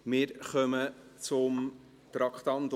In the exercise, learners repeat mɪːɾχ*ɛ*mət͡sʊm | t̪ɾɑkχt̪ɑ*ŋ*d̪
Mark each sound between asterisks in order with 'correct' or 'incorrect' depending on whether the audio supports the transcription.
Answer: incorrect, incorrect

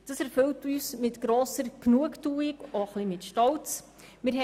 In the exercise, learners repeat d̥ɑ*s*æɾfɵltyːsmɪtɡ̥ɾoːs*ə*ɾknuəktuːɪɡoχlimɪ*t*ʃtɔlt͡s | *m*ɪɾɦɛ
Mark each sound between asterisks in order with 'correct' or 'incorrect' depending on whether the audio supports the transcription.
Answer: correct, correct, correct, correct

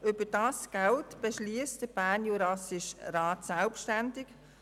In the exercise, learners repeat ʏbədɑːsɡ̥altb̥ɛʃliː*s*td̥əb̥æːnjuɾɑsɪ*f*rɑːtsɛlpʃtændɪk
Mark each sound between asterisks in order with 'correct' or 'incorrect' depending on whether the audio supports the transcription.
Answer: correct, incorrect

